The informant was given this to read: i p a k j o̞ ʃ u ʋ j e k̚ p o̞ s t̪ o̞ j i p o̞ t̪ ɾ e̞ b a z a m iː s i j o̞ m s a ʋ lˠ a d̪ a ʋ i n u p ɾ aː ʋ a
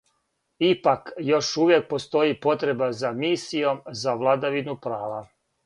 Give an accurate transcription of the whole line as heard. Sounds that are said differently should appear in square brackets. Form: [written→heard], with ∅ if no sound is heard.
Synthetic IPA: i p a k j o̞ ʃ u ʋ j e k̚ p o̞ s t̪ o̞ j i p o̞ t̪ ɾ e̞ b a z a m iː s i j o̞ m [s→z] a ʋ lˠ a d̪ a ʋ i n u p ɾ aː ʋ a